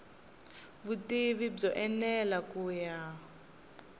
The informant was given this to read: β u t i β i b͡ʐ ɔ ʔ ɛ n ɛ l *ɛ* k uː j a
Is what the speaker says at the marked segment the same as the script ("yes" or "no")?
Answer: no